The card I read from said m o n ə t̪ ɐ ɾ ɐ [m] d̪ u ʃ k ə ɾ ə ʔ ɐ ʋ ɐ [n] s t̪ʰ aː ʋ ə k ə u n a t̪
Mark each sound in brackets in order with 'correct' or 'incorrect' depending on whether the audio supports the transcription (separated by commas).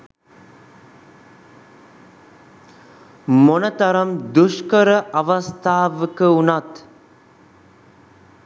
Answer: correct, incorrect